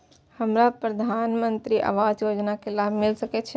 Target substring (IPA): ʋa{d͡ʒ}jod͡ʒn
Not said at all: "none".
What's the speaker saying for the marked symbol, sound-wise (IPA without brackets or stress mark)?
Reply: d͡ʒ